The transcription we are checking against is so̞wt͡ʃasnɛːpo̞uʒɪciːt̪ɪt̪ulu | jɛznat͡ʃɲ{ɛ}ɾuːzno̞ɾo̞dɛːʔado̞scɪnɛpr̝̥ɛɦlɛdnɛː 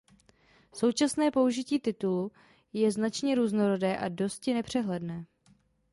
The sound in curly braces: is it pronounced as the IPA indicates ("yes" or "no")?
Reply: yes